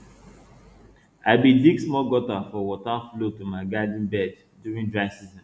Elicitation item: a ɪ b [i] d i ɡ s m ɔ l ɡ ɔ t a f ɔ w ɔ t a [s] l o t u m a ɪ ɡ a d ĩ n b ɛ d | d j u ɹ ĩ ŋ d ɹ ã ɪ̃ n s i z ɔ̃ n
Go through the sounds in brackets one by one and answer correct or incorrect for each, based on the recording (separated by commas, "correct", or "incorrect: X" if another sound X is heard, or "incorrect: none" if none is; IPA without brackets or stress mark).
correct, incorrect: f